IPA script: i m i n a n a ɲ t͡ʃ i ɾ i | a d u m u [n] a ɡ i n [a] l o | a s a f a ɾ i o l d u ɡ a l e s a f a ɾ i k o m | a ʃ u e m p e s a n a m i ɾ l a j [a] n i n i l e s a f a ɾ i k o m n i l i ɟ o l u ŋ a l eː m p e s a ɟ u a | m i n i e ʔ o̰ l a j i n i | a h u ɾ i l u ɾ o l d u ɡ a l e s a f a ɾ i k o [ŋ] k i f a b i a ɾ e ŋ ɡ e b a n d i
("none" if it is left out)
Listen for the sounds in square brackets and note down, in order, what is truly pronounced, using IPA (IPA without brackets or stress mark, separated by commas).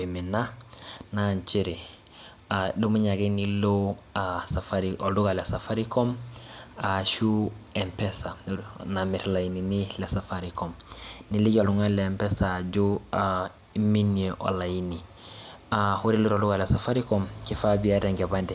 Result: ɲ, i, i, m